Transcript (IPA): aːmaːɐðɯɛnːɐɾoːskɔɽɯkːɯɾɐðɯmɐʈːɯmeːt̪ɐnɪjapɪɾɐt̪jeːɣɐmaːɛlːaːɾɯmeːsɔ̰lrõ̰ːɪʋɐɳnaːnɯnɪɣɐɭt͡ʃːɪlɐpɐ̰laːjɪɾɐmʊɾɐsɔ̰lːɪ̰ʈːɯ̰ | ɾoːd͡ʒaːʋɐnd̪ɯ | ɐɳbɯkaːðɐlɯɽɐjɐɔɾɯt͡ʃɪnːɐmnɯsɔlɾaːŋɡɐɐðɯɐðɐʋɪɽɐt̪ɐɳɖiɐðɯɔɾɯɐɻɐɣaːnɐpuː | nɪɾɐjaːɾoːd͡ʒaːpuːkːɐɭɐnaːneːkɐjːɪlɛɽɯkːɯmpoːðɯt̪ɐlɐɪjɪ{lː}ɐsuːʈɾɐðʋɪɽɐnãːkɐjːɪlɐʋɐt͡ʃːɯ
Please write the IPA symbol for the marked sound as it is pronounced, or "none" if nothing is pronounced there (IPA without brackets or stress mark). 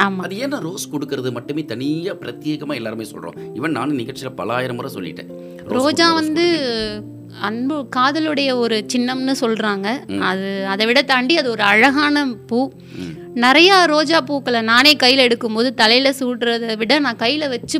l